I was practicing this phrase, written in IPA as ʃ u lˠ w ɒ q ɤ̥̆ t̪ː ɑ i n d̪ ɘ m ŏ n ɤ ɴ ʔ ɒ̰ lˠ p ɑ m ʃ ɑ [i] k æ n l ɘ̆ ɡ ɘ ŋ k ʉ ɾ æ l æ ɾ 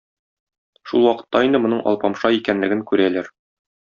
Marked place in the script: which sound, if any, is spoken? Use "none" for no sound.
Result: i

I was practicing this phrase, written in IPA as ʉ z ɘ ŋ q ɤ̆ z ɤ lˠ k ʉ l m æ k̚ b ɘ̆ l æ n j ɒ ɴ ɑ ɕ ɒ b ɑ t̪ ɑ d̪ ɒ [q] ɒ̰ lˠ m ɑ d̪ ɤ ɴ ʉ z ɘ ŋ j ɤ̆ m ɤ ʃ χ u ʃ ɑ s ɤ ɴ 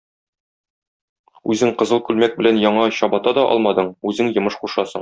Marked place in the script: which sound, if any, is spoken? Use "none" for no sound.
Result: ʔ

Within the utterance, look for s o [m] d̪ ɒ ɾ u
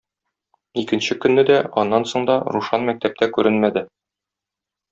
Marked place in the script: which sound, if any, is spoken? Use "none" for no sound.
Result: ɴ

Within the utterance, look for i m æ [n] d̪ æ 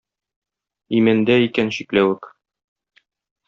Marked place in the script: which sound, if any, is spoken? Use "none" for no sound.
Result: n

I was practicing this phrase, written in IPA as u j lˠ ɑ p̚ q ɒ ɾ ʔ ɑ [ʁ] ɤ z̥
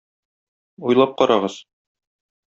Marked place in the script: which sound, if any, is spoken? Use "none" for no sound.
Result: ʁ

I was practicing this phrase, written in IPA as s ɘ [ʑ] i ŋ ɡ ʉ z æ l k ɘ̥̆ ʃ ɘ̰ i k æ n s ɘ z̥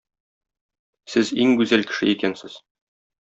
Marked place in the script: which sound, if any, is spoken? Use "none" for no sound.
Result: z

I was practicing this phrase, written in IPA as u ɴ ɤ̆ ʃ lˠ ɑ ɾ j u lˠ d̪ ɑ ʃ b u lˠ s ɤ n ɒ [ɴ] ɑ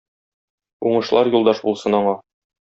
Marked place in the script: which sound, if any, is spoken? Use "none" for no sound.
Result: ɴ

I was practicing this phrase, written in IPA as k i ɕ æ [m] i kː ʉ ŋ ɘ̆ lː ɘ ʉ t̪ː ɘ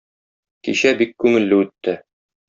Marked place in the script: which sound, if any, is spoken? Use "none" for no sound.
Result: b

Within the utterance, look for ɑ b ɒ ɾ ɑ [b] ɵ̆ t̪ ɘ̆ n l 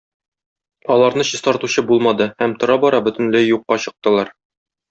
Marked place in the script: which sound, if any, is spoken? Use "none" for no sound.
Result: b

